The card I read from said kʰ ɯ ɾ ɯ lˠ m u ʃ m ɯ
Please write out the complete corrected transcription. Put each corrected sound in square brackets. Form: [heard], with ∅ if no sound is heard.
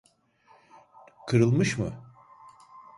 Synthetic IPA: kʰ ɯ ɾ ɯ lˠ m [ɯ] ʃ m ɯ